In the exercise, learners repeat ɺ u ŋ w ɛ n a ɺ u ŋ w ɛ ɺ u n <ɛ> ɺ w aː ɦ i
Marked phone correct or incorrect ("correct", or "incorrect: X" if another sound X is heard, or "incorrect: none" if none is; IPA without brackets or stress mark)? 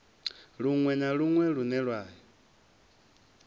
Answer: correct